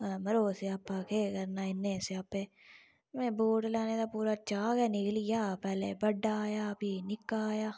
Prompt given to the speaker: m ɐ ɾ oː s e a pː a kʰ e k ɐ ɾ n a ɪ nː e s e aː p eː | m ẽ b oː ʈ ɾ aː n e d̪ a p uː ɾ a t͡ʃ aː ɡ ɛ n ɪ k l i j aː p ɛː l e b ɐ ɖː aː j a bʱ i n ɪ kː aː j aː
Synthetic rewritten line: m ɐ ɾ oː s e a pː a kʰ e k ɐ ɾ n a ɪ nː e s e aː p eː | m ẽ b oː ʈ l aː n e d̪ a p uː ɾ a t͡ʃ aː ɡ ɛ n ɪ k l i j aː p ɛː l e b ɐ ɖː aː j a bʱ i n ɪ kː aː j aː